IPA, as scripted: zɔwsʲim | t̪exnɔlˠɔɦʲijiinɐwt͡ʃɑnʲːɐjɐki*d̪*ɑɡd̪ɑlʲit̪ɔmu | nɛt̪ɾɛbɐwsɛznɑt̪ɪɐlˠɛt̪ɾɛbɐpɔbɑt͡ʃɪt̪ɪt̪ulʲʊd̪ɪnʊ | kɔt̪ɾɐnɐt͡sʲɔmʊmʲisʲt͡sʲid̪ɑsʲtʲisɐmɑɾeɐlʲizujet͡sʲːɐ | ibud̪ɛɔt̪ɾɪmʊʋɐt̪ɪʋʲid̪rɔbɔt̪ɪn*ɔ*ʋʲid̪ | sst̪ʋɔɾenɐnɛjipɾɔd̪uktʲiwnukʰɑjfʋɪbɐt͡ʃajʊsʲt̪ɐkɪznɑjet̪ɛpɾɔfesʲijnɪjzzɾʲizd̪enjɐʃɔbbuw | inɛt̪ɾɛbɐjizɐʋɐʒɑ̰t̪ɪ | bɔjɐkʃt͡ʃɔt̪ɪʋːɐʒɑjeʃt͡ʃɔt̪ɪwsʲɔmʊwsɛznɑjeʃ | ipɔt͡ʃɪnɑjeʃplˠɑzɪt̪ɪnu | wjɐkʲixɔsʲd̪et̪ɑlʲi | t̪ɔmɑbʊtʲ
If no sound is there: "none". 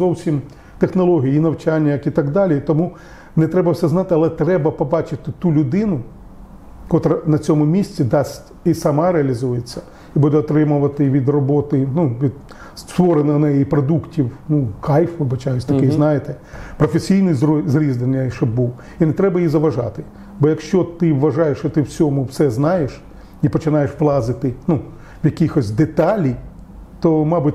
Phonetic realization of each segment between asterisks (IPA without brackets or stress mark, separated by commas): t̪, u